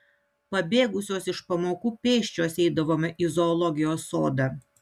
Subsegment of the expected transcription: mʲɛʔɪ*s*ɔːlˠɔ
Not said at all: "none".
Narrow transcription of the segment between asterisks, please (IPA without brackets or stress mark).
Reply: z